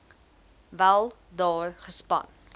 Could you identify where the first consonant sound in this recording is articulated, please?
labial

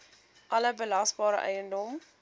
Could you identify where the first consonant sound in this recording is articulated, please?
glottal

